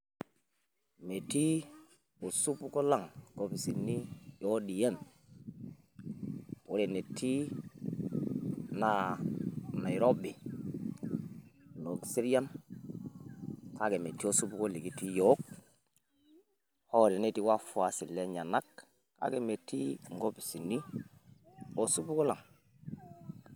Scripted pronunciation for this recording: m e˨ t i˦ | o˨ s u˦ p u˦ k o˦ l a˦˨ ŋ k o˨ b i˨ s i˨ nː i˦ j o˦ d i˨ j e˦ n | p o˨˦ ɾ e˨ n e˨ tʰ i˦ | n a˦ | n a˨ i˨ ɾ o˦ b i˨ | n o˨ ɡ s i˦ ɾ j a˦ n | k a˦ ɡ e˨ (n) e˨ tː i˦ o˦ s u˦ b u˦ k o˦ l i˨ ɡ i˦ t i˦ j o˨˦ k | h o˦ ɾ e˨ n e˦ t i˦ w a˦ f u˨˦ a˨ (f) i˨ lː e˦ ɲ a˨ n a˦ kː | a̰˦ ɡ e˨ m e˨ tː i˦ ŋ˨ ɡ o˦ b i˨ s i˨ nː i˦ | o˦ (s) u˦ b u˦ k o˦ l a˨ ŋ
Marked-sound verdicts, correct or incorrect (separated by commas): incorrect, incorrect, correct